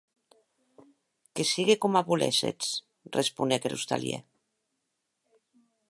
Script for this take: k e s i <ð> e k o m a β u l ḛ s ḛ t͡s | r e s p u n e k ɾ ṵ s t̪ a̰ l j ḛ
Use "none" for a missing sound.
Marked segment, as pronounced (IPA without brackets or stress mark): ɣ